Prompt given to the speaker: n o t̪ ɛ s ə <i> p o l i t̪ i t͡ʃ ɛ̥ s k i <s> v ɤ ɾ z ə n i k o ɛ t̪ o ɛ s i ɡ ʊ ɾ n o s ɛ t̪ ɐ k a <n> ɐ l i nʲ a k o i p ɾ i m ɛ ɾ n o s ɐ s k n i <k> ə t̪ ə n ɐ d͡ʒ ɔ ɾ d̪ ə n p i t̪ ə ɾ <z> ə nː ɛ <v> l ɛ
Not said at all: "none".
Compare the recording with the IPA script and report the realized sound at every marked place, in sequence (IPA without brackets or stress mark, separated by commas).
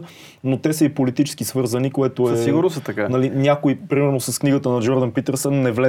i, s, n, ɡ, s, v